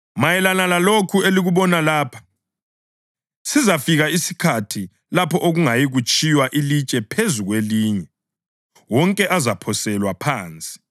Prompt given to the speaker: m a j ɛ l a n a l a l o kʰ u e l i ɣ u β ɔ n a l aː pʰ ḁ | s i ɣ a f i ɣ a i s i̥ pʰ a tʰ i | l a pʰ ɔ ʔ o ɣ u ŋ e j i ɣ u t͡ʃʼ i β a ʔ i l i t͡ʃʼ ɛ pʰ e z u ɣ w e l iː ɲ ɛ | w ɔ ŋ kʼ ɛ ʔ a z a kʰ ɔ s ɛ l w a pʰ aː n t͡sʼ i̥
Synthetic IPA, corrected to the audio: m a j ɛ l a n a l a l o kʰ u e l i ɣ u β ɔ n a l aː pʰ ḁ | s i z a f i ɣ a i s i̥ kʰ a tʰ i | l a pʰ ɔ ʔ o ɣ u ŋ a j i ɣ u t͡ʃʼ i w a ʔ i l i t͡ʃʼ ɛ pʰ e z u ɣ w e l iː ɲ ɛ | w ɔ ŋ kʼ ɛ ʔ a z a pʰ ɔ s ɛ l w a pʰ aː n t͡sʼ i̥